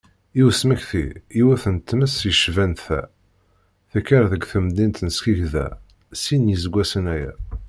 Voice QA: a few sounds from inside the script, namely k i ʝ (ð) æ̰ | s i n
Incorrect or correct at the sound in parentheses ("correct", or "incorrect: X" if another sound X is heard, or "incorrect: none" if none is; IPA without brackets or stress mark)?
correct